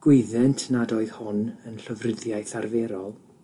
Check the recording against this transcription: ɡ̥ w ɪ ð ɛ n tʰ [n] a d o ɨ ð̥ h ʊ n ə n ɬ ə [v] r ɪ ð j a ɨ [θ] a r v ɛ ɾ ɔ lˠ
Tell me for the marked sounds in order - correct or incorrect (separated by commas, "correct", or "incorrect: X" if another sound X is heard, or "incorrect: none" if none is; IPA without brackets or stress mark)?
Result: correct, correct, correct